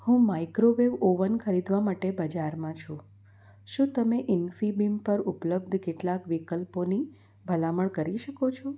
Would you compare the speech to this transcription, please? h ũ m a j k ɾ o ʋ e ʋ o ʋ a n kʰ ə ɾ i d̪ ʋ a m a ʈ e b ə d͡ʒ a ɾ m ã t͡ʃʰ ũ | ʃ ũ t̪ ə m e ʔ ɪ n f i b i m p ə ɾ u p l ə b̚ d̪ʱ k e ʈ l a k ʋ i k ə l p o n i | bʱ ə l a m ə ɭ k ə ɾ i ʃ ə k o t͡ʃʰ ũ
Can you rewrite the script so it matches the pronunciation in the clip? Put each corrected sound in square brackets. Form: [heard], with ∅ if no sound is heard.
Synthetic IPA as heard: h ũ m a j k ɾ o ʋ e ʋ o ʋ [ə] n kʰ ə ɾ i d̪ ʋ a m a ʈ e b ə d͡ʒ a ɾ m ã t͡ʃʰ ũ | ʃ ũ t̪ ə m e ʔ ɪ n f i b i m p ə ɾ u p l ə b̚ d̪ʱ k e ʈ l a k ʋ i k ə l p o n i | bʱ ə l a m ə ɭ k ə ɾ i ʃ ə k o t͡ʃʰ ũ